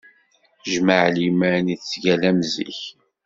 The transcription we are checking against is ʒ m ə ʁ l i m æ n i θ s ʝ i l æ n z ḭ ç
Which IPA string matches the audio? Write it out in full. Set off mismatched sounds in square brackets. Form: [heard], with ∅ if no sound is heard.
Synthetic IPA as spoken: ʒ m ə [ʕ] l i m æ n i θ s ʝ [æ] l æ [m] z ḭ ç